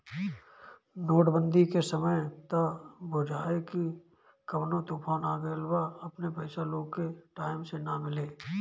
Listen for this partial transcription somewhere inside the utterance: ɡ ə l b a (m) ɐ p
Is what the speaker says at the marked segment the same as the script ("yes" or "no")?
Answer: no